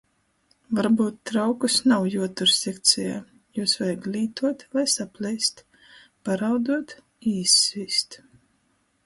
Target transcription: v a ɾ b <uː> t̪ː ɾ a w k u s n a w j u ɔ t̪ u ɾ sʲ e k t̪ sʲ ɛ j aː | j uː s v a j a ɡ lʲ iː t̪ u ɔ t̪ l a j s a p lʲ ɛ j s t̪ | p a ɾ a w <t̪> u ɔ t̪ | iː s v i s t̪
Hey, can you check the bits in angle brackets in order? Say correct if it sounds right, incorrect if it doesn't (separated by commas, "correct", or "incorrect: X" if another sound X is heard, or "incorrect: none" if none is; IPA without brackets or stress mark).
correct, incorrect: d̪